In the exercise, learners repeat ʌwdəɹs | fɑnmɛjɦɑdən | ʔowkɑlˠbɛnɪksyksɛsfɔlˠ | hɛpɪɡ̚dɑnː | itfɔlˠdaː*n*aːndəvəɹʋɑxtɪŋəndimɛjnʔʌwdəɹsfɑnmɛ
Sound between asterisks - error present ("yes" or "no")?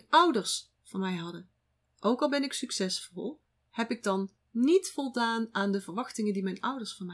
no